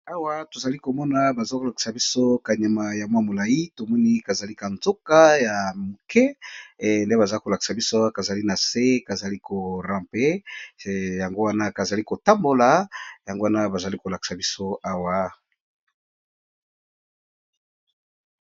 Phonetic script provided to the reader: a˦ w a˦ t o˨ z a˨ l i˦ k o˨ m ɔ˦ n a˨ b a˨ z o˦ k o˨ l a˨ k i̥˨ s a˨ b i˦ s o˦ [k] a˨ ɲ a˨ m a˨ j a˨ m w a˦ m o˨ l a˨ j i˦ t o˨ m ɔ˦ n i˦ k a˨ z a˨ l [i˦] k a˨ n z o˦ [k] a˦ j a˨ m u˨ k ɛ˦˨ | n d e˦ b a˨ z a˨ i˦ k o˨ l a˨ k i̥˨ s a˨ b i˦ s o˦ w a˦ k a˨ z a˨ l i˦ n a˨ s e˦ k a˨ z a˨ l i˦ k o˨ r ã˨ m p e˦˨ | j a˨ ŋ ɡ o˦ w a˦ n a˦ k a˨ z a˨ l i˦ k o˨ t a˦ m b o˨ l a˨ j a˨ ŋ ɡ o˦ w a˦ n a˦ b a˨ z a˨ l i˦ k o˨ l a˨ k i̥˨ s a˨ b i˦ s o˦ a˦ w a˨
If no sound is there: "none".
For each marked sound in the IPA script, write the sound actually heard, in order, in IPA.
k, i˦, k

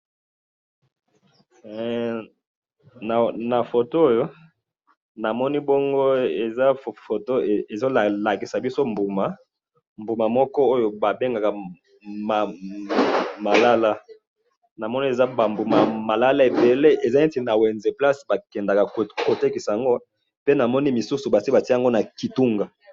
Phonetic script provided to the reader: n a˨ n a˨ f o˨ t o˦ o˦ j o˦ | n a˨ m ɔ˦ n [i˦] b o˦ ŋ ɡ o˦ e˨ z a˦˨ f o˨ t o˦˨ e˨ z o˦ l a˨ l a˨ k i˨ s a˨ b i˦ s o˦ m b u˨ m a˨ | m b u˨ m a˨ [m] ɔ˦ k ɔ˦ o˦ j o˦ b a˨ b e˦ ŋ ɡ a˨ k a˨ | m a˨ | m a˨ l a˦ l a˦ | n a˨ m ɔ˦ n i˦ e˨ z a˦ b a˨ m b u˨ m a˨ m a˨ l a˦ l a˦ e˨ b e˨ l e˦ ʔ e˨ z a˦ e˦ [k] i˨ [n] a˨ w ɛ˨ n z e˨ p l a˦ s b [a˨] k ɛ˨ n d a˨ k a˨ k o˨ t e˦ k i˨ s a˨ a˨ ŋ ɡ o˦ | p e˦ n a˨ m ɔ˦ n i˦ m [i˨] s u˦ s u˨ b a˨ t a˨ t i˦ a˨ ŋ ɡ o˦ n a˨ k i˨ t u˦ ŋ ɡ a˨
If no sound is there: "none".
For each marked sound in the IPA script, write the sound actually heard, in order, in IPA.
i˦, m, t, n, a˨, i˨

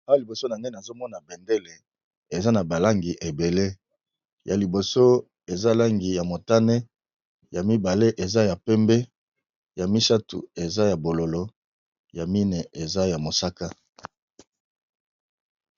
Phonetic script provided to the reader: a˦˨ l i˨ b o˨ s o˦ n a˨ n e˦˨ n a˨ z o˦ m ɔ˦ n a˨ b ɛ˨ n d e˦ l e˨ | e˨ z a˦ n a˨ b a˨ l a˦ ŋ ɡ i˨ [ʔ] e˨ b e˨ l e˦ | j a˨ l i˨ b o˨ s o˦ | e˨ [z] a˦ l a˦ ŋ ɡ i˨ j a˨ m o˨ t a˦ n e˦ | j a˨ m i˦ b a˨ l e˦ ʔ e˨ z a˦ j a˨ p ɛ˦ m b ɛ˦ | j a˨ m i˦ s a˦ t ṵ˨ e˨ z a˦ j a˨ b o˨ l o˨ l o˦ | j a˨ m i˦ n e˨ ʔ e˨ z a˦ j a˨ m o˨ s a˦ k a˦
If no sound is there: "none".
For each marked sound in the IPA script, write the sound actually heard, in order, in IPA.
ʔ, z

